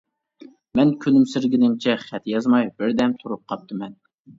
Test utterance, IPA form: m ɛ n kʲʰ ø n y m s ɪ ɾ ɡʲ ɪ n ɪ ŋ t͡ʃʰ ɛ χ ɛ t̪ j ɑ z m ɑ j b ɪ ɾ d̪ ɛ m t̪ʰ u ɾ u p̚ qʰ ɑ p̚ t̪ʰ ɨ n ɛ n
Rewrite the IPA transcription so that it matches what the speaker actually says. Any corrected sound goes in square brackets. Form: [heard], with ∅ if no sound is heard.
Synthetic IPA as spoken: m ɛ n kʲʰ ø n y m s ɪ ɾ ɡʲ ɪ n ɪ ŋ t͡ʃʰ ɛ χ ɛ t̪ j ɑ z m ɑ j b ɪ ɾ d̪ ɛ m t̪ʰ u ɾ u p̚ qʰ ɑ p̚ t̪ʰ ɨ [m] ɛ n